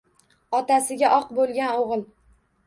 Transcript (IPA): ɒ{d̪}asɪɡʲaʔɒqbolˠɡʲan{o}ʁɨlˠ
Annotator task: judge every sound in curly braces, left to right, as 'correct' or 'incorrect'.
incorrect: t̪, correct

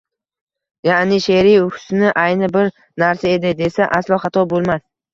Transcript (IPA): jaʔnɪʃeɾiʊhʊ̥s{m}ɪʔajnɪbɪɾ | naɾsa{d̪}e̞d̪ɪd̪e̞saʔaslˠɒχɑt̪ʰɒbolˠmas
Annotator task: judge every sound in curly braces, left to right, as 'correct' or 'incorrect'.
incorrect: n, incorrect: none

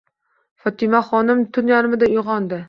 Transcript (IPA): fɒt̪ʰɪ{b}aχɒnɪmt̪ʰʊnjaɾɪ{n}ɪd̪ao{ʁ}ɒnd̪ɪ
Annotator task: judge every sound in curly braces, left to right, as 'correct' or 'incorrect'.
incorrect: m, incorrect: m, correct

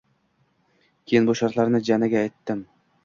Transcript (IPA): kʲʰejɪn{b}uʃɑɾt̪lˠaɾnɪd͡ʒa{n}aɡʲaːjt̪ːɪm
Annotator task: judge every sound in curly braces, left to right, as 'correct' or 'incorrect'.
correct, correct

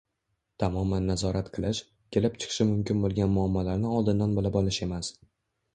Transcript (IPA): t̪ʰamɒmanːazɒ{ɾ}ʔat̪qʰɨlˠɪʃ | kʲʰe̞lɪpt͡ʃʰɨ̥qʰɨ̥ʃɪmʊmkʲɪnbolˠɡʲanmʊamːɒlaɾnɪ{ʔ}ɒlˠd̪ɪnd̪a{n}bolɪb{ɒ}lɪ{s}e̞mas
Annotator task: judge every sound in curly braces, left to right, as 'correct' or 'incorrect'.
correct, incorrect: none, correct, correct, incorrect: ʃ

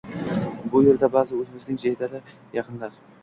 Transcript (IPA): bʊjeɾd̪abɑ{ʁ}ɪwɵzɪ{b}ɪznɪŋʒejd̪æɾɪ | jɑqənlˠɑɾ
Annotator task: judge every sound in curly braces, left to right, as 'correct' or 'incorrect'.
incorrect: z, incorrect: m

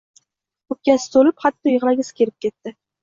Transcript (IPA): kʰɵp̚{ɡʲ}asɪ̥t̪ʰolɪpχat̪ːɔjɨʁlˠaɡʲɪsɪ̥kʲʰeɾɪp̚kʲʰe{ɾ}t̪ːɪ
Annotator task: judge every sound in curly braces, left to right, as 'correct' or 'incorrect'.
incorrect: kʲ, incorrect: none

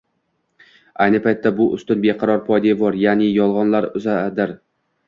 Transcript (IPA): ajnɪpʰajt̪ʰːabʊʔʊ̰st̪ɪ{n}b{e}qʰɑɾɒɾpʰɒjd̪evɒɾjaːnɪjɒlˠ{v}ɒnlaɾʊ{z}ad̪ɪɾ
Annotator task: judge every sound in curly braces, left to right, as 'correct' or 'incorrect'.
correct, correct, incorrect: ʁ, correct

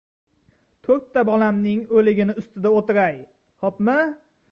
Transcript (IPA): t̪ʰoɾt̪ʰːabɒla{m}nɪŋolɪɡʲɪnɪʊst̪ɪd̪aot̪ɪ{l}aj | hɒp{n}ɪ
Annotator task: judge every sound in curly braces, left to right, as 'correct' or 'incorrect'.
correct, incorrect: ɾ, incorrect: m

